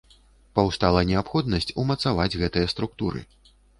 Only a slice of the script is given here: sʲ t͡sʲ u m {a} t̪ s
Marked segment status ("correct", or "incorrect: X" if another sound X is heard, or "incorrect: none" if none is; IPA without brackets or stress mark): incorrect: ɐ